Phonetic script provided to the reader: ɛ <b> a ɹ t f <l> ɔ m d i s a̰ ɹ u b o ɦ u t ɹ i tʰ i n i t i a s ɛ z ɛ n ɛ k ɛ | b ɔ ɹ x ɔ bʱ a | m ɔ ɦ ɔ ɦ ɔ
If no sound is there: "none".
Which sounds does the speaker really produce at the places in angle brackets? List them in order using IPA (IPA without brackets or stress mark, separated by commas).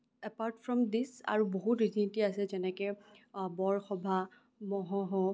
p, ɹ